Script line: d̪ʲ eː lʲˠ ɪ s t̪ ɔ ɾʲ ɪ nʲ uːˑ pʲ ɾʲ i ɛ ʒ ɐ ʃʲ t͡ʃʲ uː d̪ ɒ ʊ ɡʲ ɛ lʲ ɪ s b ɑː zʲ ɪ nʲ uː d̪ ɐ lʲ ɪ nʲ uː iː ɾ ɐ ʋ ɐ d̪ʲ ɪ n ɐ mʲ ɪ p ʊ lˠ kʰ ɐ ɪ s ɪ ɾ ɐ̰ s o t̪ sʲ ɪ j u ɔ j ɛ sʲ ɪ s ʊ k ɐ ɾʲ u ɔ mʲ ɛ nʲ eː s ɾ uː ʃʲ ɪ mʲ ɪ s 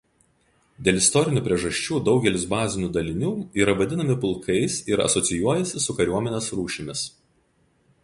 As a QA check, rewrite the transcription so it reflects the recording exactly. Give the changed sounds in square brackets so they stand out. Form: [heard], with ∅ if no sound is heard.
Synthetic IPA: d̪ʲ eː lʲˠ ɪ s t̪ ɔ ɾʲ ɪ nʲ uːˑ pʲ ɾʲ i ɛ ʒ ɐ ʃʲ t͡ʃʲ uː d̪ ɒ ʊ ɡʲ ɛ lʲ ɪ s b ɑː zʲ ɪ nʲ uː d̪ ɐ lʲ ɪ nʲ uː iː ɾ ɐ ʋ ɐ d̪ʲ ɪ n ɐ mʲ ɪ p ʊ lˠ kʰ ɐ ɪ s ɪ ɾ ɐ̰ s [ɔ] t̪ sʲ ɪ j u ɔ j ɛ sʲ ɪ s ʊ k ɐ ɾʲ u ɔ mʲ ɛ nʲ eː s ɾ uː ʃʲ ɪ mʲ ɪ s

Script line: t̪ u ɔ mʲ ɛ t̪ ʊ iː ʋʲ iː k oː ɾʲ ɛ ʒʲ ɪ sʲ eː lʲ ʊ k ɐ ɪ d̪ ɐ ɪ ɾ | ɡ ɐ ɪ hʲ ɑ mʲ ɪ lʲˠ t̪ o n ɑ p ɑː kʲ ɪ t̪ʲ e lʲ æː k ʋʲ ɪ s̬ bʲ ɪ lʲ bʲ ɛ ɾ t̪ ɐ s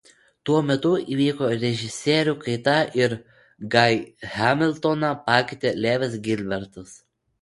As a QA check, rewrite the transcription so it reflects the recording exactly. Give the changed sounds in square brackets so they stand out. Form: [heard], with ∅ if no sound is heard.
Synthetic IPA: t̪ u ɔ mʲ ɛ t̪ ʊ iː ʋʲ iː k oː ɾʲ ɛ ʒʲ ɪ sʲ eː [ɾʲ] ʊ k ɐ ɪ [t̪] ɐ ɪ ɾ | ɡ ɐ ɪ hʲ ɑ mʲ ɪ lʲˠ t̪ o n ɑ p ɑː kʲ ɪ t̪ʲ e lʲ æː [∅] ʋʲ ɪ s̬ [ɡʲ] ɪ lʲ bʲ ɛ ɾ t̪ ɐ s

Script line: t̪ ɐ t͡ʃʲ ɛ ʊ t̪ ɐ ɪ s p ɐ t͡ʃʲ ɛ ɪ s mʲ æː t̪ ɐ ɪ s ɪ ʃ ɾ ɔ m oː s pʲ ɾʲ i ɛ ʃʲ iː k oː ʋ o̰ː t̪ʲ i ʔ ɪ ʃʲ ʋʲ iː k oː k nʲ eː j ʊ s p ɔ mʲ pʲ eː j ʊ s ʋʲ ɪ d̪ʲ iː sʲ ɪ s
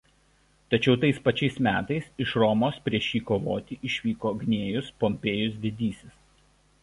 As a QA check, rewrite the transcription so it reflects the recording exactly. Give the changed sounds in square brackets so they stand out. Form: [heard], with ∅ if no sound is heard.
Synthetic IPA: t̪ ɐ t͡ʃʲ ɛ ʊ t̪ ɐ ɪ s p ɐ t͡ʃʲ ɛ ɪ s mʲ æː t̪ ɐ ɪ s ɪ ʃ ɾ ɔ m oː s pʲ ɾʲ i ɛ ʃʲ iː k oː ʋ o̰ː t̪ʲ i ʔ ɪ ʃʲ ʋʲ iː k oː [ɡ] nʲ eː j ʊ s p ɔ mʲ pʲ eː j ʊ s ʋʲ ɪ d̪ʲ iː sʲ ɪ s

